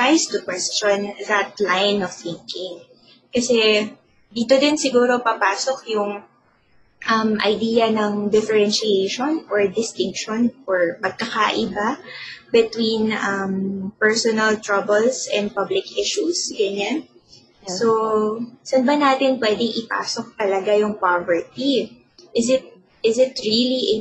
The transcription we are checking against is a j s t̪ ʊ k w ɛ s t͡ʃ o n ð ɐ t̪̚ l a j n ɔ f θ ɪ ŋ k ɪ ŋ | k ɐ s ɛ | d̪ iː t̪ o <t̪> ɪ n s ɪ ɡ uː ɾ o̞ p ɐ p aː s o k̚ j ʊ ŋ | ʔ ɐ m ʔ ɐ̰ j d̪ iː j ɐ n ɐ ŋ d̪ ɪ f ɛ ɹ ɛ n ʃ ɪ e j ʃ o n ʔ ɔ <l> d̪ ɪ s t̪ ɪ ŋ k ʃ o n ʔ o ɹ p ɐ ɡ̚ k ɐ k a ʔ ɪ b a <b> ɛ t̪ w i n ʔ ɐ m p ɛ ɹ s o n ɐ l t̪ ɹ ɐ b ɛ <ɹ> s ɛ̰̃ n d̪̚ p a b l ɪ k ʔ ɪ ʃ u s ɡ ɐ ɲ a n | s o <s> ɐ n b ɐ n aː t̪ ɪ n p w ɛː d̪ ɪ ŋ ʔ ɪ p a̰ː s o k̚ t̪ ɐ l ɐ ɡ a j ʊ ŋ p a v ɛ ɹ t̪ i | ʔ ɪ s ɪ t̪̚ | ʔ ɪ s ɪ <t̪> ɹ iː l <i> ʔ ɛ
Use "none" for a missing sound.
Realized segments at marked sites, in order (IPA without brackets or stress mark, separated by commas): d̪, ɹ, b, l, s, t̪, i